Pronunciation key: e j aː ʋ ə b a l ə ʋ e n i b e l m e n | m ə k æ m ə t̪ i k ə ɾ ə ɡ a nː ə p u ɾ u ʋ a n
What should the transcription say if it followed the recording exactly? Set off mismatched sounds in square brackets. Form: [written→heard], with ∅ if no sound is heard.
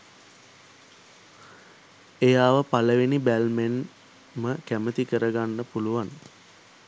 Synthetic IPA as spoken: e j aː ʋ ə [b→p] a l ə ʋ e n i b [e→æ] l m e n | m ə k æ m ə t̪ i k ə ɾ ə ɡ a nː ə p u [ɾ→l] u ʋ a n